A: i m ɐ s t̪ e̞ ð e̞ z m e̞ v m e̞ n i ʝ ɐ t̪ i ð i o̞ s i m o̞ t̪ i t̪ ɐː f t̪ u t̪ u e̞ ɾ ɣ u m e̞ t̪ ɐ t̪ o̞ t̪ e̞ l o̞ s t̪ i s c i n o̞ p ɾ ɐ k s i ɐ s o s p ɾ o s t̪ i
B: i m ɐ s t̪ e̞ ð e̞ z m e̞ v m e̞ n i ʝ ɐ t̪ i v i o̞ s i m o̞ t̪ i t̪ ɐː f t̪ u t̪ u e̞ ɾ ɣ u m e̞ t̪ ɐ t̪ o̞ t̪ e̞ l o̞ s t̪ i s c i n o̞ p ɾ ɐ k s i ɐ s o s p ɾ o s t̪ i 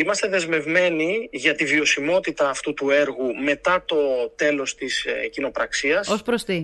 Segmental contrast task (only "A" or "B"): B